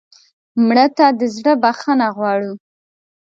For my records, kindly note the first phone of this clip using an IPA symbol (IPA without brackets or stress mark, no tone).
m